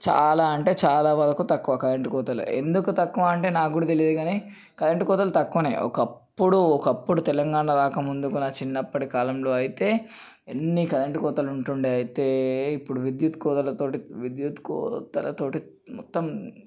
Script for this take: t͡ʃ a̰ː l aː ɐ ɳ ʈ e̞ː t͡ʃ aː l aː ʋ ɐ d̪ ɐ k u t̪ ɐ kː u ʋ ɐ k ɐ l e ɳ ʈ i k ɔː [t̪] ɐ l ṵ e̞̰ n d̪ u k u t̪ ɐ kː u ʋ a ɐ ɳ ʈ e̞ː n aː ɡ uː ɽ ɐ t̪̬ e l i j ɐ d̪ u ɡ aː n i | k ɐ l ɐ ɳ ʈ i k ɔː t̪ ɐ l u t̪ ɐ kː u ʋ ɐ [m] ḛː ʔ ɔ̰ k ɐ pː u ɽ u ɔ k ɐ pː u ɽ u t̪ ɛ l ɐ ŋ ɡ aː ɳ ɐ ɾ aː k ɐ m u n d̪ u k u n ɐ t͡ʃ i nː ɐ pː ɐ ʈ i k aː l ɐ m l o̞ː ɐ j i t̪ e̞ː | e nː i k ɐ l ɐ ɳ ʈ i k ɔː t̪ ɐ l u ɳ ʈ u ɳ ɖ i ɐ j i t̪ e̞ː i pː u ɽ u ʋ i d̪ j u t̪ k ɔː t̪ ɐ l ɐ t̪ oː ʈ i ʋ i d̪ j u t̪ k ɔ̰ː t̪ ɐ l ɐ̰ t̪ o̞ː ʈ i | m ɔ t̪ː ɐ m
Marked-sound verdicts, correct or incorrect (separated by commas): correct, incorrect